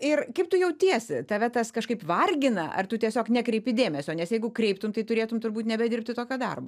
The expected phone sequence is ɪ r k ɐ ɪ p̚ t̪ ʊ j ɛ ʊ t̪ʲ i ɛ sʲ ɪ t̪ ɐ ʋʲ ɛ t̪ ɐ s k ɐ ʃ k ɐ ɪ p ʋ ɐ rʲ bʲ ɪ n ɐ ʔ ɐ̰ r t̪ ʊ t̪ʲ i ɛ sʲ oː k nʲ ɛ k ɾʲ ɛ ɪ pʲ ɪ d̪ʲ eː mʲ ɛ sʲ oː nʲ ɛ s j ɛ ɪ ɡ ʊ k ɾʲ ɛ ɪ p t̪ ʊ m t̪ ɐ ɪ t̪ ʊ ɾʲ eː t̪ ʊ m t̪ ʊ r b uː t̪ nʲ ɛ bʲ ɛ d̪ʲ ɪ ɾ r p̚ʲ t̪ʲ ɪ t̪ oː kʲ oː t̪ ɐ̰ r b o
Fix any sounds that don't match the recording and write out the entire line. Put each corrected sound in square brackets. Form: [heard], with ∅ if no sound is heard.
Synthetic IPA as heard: ɪ r k ɐ ɪ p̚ t̪ ʊ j ɛ ʊ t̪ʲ i ɛ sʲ ɪ t̪ ɐ ʋʲ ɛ t̪ ɐ s k ɐ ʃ k ɐ ɪ p ʋ ɐ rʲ [ɡʲ] ɪ n ɐ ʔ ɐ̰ r t̪ ʊ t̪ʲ i ɛ sʲ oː k nʲ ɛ k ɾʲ ɛ ɪ pʲ ɪ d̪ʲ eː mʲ ɛ sʲ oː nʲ ɛ s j ɛ ɪ ɡ ʊ k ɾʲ ɛ ɪ p t̪ ʊ m t̪ ɐ ɪ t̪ ʊ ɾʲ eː t̪ ʊ m t̪ ʊ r b uː t̪ nʲ ɛ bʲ ɛ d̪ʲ ɪ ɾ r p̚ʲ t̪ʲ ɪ t̪ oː kʲ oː [d̪] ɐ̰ r b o